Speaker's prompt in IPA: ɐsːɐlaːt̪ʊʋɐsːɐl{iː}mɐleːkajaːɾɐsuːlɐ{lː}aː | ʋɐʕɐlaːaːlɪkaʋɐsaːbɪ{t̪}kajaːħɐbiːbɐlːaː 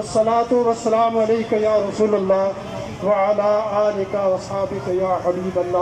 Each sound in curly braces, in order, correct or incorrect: incorrect: aː, correct, incorrect: none

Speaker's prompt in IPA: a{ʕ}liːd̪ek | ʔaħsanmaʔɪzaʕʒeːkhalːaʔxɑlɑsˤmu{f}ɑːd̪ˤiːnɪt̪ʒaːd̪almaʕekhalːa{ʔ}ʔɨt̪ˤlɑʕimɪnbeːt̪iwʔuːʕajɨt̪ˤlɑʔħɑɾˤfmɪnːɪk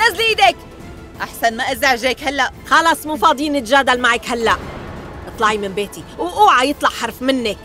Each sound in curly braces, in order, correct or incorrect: incorrect: z, correct, correct

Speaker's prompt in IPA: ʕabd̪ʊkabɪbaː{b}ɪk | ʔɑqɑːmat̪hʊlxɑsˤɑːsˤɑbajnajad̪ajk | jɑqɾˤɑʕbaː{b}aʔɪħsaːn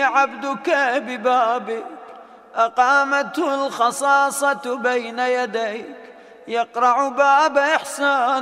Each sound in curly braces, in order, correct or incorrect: correct, correct

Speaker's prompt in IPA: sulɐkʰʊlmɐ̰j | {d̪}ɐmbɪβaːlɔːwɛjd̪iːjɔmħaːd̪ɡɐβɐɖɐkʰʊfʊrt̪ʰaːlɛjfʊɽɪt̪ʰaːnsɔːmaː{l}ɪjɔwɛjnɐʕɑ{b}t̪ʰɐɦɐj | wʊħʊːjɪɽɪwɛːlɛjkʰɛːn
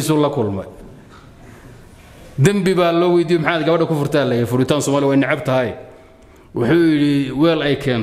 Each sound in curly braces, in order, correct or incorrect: correct, correct, correct

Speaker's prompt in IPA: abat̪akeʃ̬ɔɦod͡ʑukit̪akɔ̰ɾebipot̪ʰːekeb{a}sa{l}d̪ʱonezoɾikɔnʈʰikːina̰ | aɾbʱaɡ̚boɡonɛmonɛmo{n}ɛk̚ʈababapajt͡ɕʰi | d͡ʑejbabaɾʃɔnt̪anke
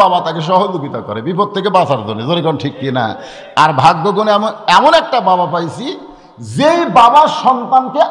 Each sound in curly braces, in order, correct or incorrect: correct, incorrect: ɾ, correct

